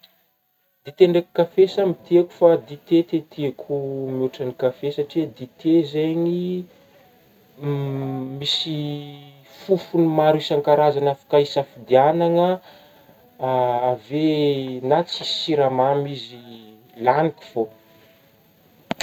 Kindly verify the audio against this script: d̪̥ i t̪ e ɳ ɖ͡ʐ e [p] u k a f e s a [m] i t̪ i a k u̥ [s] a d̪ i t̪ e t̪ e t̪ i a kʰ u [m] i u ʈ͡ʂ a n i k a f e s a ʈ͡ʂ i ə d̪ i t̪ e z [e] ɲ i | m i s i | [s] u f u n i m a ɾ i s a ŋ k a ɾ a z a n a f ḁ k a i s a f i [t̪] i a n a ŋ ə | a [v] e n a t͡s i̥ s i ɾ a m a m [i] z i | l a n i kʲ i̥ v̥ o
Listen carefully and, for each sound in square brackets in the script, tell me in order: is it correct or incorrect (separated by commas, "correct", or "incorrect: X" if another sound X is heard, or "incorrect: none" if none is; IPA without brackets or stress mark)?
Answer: incorrect: k, correct, incorrect: f, correct, correct, incorrect: f, incorrect: d̪, correct, correct